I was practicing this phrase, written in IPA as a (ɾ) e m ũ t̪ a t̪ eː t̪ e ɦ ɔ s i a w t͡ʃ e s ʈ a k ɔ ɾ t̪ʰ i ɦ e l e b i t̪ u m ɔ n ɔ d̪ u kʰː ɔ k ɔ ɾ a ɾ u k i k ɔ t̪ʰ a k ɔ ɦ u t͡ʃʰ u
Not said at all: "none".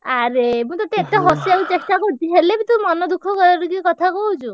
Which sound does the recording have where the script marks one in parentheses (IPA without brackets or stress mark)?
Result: ɾ